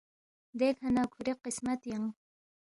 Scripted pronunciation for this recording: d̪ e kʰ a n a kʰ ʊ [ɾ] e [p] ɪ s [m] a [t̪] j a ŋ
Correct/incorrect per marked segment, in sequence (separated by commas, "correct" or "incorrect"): correct, incorrect, correct, correct